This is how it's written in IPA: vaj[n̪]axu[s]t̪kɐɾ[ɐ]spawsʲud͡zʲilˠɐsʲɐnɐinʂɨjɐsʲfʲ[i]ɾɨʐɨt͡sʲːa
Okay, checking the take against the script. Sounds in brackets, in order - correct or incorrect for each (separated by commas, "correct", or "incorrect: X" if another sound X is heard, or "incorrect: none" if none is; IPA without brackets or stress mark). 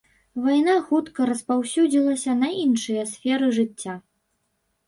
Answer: correct, incorrect: none, correct, incorrect: ɛ